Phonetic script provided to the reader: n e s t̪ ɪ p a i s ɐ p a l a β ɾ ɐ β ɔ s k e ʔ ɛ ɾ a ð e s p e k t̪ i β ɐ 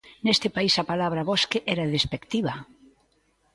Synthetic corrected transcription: n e s t̪ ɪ p a i s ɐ p a l a β ɾ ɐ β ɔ s k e ʔ ɛ ɾ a ð e s p e k t̪ i β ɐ